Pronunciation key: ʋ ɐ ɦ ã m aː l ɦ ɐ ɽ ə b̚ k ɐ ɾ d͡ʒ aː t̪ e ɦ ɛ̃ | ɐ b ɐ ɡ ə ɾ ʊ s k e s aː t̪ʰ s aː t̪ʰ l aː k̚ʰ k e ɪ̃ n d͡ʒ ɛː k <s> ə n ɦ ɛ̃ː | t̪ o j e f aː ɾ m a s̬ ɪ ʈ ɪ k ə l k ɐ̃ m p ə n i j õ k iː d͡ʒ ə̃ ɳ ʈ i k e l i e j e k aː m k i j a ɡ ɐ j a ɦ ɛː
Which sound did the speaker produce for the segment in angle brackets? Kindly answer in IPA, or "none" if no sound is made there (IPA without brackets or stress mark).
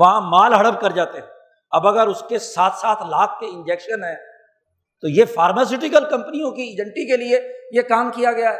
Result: ʃ